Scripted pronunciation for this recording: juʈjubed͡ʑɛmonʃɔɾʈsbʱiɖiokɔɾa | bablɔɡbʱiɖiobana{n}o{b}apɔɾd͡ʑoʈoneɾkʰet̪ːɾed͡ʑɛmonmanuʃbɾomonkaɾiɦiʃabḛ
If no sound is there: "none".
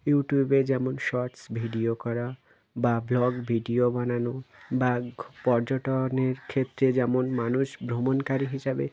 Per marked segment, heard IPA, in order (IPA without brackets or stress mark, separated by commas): n, b